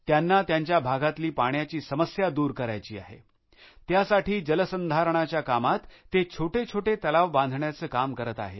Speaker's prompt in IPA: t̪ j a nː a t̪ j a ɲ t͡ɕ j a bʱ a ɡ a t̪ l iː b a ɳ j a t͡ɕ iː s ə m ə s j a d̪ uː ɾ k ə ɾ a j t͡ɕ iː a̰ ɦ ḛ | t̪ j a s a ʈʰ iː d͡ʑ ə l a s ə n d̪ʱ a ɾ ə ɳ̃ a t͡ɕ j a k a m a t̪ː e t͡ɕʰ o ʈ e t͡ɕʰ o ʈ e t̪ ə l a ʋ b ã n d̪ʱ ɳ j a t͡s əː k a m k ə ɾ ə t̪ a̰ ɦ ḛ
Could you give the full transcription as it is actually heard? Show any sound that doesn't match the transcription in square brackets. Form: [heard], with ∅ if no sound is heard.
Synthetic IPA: t̪ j a nː a t̪ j a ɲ t͡ɕ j a bʱ a ɡ a t̪ l iː [p] a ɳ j a t͡ɕ iː s ə m ə s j a d̪ uː ɾ k ə ɾ a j t͡ɕ iː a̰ ɦ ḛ | t̪ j a s a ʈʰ iː d͡ʑ ə l [ə] s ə n d̪ʱ a ɾ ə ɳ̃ a t͡ɕ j a k a m a t̪ː e t͡ɕʰ o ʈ e t͡ɕʰ o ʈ e t̪ ə l a ʋ b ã n d̪ʱ ɳ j a t͡s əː k a m k ə ɾ ə t̪ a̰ ɦ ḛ